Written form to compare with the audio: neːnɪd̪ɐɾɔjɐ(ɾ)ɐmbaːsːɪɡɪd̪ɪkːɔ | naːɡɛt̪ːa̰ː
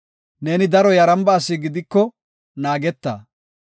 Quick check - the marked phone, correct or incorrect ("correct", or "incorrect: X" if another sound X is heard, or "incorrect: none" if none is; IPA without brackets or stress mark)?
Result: correct